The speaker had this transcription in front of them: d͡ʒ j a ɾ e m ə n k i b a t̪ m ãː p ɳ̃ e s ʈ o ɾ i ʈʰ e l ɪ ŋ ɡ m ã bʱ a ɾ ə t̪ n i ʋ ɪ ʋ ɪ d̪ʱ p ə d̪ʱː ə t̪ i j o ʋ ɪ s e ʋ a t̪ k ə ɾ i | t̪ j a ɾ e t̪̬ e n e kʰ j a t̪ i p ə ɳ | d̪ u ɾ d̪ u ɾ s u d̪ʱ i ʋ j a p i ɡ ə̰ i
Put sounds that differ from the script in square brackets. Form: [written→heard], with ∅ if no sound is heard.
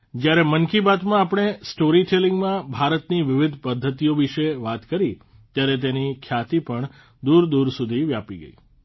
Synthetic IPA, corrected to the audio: d͡ʒ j a ɾ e m ə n k i b a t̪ m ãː p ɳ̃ e s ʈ o ɾ i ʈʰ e l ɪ ŋ ɡ m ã bʱ a ɾ ə t̪ n i ʋ ɪ ʋ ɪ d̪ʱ p ə d̪ʱː ə t̪ i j o ʋ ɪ [s→ʃ] e ʋ a t̪ k ə ɾ i | t̪ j a ɾ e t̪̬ e n [e→i] kʰ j a t̪ i p ə ɳ | d̪ u ɾ d̪ u ɾ s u d̪ʱ i ʋ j a p i ɡ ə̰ i